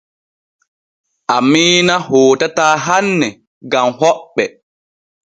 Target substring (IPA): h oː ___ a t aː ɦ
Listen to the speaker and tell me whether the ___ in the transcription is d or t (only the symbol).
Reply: t